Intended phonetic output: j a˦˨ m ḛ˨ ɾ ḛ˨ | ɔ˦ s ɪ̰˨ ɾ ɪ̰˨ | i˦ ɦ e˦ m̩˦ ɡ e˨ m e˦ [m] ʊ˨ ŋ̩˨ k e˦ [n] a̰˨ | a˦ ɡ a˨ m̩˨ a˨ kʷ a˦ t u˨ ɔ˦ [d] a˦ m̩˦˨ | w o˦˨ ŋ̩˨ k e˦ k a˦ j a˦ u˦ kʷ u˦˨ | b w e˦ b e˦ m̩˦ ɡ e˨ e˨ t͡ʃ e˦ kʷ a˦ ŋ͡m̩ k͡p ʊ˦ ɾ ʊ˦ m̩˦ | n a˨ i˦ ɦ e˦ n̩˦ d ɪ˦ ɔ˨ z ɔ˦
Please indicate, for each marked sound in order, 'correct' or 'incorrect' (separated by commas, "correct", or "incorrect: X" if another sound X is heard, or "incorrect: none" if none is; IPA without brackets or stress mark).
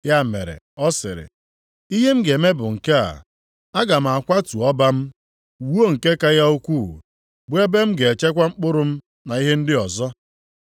incorrect: b, incorrect: none, incorrect: b